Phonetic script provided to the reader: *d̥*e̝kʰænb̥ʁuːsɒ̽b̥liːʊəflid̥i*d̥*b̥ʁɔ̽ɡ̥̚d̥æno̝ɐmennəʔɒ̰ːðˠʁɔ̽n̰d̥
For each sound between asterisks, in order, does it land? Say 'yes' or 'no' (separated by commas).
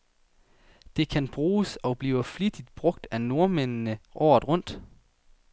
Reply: yes, yes